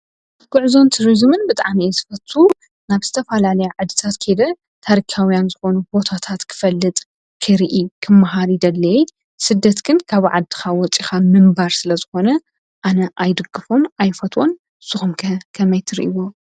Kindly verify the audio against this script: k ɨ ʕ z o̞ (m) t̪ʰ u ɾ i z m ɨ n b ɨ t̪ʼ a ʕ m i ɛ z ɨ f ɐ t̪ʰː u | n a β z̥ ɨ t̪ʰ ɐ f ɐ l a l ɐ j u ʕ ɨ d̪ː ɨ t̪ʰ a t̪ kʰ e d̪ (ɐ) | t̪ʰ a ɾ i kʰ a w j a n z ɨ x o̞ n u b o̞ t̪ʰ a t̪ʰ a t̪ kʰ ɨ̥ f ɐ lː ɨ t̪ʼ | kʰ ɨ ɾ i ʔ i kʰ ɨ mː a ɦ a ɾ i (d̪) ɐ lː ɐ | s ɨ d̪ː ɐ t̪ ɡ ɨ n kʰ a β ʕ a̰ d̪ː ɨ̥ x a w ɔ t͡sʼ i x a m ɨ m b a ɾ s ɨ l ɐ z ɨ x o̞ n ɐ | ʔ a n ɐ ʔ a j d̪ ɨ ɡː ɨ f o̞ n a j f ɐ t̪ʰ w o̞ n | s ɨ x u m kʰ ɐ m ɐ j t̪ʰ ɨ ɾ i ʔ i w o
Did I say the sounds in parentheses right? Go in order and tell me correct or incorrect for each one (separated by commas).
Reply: incorrect, correct, correct